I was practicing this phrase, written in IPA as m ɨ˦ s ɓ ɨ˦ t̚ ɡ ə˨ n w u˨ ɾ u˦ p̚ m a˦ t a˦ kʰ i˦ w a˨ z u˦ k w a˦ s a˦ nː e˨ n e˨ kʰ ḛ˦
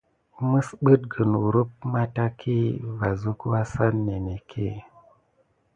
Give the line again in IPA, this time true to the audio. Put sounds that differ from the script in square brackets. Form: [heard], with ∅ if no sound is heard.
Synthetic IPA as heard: m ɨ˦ s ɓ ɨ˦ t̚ ɡ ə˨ n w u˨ ɾ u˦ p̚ m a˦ t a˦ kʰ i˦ [v] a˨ z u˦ k w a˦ s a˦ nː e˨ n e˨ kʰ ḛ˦